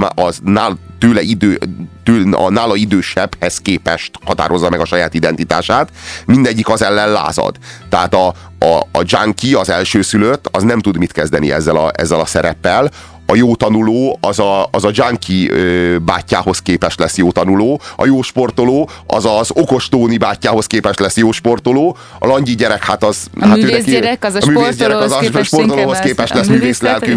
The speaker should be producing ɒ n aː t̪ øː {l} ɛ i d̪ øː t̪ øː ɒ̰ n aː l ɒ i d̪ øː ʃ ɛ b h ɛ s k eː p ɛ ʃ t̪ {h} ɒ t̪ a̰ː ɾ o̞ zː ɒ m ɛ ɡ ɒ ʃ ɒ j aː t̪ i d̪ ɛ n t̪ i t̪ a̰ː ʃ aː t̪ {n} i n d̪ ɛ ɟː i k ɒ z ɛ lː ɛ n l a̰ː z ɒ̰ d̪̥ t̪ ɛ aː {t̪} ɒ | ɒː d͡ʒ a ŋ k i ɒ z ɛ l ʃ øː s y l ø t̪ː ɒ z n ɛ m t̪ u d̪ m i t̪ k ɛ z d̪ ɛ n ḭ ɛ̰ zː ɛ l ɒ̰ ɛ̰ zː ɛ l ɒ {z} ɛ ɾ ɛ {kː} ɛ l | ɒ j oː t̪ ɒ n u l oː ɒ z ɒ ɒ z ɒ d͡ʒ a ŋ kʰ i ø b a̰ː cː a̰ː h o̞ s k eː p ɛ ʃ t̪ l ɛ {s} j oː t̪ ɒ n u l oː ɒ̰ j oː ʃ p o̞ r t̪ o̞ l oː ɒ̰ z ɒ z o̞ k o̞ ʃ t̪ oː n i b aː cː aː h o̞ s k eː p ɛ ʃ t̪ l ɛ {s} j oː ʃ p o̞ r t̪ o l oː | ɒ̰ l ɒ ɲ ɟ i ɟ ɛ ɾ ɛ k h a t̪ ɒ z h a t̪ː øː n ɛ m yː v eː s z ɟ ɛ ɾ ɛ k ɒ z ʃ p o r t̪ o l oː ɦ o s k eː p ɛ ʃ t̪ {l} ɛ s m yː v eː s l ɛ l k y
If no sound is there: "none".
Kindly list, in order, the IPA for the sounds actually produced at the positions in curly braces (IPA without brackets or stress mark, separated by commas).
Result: l, h, m, t̪, s, pː, s, s, l